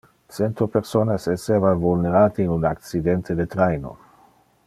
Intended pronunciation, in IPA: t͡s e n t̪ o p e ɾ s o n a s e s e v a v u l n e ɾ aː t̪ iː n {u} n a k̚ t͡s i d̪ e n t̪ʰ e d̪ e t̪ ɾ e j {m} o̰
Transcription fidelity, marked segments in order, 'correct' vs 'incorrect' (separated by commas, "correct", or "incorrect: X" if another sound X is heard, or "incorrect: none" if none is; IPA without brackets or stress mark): correct, incorrect: n